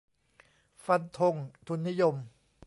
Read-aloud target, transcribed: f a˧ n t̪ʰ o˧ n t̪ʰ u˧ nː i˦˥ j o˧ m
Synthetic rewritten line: f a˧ n t̪ʰ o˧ ŋ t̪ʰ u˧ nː i˦˥ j o˧ m